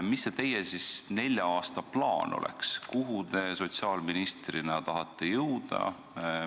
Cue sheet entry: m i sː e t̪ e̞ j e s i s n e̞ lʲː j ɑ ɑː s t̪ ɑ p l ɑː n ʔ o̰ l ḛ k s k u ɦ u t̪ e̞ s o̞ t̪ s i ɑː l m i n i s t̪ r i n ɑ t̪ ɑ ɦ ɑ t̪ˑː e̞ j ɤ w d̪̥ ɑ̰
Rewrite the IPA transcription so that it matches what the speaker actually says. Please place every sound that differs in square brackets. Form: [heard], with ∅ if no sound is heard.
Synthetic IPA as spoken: m i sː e t̪ e̞ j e s i s n e̞ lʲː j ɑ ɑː s t̪ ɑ p l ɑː n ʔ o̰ l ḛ k s k u ɦ u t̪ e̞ s o̞ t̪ s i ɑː l m i n i s t̪ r i n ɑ t̪ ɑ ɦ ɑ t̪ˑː e̞ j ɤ w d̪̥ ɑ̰